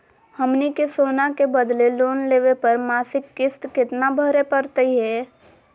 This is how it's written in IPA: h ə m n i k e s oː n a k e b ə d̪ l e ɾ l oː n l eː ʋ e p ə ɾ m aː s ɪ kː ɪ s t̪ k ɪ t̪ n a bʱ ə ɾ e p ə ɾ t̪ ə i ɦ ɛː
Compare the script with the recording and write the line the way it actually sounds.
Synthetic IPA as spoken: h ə m n i k e s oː n a k e b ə d̪ l e l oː n l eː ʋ e p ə ɾ m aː s ɪ kː ɪ s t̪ k ɪ t̪ n a bʱ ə ɾ e p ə ɾ t̪ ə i ɦ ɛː